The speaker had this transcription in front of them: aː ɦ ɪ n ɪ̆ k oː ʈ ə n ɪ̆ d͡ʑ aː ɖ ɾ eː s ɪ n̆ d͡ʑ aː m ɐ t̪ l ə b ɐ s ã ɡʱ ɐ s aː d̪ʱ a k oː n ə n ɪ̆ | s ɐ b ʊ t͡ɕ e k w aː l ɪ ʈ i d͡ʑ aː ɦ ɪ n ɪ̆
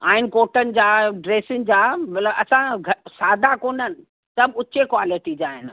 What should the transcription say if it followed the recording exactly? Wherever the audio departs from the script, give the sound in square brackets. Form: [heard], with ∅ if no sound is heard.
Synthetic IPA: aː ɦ ɪ n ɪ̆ k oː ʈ ə n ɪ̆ d͡ʑ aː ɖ ɾ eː s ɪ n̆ d͡ʑ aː m ɐ t̪ l ə b ɐ s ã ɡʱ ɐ s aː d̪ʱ a k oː n ə n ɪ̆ | s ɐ b ʊ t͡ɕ e k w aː l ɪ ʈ i d͡ʑ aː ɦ ɪ n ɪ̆